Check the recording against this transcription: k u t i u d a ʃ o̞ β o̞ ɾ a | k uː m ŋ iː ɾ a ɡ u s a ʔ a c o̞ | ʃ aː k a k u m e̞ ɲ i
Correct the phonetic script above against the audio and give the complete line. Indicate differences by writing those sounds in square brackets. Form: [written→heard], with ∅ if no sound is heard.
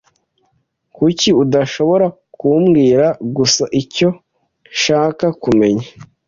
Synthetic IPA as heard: k u [t→c] i u d a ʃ o̞ β o̞ ɾ a | k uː m [ŋ→ɡ] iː ɾ a ɡ u s a ʔ [a→i] c o̞ | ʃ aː k a k u m e̞ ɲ [i→a]